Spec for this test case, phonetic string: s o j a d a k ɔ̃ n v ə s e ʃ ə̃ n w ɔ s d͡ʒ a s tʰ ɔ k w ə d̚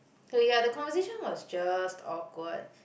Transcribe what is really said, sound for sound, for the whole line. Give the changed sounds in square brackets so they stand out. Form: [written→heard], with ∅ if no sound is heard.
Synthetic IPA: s o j a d [a→ə] k ɔ̃ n v ə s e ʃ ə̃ n w ɔ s d͡ʒ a s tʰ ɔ k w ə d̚